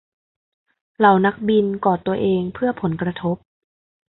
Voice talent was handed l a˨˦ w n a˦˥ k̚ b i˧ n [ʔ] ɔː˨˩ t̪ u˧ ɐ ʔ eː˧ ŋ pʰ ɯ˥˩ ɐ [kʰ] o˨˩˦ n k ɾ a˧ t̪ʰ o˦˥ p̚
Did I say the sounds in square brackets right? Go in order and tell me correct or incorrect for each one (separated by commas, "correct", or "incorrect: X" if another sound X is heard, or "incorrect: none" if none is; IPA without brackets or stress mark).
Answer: incorrect: k, incorrect: pʰ